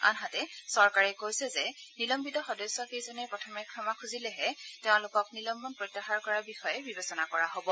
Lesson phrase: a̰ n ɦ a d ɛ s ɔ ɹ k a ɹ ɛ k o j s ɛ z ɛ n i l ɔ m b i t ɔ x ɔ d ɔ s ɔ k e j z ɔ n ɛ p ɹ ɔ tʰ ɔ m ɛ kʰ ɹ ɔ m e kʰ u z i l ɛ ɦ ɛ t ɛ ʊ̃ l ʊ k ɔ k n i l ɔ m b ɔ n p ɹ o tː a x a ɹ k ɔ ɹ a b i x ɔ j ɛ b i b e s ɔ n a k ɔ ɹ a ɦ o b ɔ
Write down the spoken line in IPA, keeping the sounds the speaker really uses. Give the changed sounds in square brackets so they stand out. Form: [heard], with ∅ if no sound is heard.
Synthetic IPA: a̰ n ɦ a [t] ɛ s ɔ ɹ k a ɹ ɛ k o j s ɛ z ɛ n i l ɔ m b i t ɔ x ɔ d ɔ s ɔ k e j z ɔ n ɛ p ɹ ɔ tʰ ɔ m ɛ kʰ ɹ ɔ m [a] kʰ u z i l ɛ ɦ ɛ t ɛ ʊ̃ l ʊ k ɔ k n i l ɔ m b ɔ n p ɹ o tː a x a ɹ k ɔ ɹ a b i x ɔ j ɛ b i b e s ɔ n a k ɔ ɹ a ɦ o b ɔ